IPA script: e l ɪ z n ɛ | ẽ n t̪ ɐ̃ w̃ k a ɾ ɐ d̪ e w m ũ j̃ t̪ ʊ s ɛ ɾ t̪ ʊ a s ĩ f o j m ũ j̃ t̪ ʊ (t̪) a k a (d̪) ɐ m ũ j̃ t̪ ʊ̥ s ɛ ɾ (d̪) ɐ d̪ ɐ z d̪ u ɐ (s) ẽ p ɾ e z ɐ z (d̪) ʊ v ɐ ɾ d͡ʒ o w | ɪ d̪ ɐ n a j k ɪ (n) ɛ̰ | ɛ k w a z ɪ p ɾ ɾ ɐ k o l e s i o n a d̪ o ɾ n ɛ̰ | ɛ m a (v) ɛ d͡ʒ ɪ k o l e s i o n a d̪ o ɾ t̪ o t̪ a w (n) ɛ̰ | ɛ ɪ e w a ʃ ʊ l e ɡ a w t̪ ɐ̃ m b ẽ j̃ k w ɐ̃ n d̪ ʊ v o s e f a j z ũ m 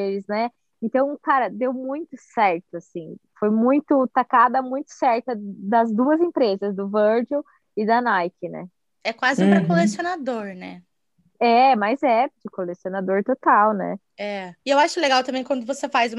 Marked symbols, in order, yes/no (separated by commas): yes, yes, no, no, yes, yes, no, yes